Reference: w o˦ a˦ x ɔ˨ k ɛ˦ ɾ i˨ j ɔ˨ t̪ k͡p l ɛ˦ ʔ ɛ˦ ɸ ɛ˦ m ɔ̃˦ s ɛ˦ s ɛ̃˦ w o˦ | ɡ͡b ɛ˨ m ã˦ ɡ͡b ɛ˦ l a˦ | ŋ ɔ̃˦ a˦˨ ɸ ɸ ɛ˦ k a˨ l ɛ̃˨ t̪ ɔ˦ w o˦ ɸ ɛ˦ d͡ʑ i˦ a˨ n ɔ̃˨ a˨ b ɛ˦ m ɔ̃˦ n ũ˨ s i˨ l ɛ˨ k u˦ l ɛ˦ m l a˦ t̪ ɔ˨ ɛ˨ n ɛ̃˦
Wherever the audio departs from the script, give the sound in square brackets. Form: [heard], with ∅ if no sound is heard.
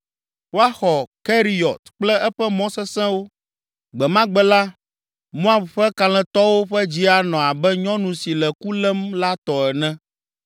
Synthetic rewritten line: w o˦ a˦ x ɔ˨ k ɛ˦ ɾ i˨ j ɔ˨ t̪ k͡p l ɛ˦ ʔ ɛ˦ ɸ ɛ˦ m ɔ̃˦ s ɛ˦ s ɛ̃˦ w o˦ | ɡ͡b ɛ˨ m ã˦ ɡ͡b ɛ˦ l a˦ | [m] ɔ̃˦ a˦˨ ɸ ɸ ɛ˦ k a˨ l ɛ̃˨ t̪ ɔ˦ w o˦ ɸ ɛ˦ d͡ʑ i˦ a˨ n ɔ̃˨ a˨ b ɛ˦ [ɲ] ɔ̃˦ n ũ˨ s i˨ l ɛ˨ k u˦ l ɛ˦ m l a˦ t̪ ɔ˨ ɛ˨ n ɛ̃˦